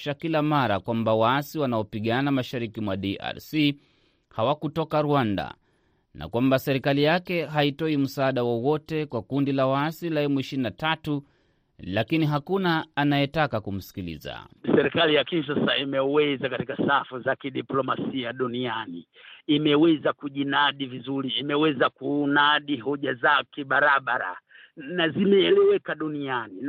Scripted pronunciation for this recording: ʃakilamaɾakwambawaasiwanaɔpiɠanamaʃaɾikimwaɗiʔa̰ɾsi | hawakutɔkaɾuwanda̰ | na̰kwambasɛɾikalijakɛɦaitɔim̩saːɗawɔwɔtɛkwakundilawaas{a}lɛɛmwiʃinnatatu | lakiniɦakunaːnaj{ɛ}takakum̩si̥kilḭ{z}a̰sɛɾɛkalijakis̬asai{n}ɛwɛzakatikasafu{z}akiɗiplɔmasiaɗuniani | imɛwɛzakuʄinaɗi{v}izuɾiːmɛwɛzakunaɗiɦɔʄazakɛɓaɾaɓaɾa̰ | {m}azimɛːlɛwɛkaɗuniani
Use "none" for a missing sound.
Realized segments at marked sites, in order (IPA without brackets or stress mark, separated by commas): i, ɛ, z, m, z, v, n